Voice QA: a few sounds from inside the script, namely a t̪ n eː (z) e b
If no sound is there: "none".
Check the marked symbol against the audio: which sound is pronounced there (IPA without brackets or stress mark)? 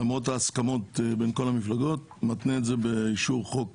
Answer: z